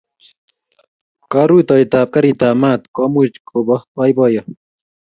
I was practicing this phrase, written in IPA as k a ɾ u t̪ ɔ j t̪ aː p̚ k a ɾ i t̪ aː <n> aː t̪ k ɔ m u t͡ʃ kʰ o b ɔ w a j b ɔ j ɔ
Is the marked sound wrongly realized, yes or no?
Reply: yes